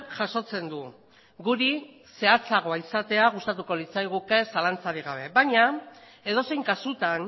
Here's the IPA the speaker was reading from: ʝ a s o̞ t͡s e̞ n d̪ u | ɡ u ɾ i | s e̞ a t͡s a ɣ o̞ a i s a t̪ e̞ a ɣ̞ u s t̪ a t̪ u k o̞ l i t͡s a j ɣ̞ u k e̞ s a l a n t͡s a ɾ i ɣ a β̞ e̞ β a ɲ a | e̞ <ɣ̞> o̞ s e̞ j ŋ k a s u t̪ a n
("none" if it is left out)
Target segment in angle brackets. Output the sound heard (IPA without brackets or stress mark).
ð̞